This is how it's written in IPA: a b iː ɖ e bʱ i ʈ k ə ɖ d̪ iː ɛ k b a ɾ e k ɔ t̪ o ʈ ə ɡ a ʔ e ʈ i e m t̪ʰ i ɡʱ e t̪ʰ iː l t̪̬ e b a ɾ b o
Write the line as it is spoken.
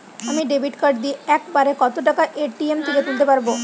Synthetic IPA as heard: a m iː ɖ e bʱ i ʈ k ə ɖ d̪ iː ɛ k b a ɾ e k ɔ t̪ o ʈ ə k a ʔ e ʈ i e m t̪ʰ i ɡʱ e t̪ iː l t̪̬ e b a ɾ b o